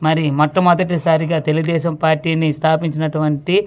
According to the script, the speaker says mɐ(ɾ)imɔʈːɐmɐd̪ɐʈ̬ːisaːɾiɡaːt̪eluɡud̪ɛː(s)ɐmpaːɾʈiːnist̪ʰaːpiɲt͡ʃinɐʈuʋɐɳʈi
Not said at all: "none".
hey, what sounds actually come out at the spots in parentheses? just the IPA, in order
ɾ, ʃ

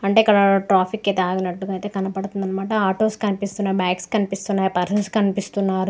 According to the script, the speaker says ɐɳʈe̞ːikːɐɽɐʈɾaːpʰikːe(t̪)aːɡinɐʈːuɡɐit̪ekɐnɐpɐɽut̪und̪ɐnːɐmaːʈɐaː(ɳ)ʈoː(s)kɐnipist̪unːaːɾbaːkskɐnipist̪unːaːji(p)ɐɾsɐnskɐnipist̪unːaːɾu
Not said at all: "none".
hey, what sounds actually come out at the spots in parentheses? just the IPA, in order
t̪, none, s, p

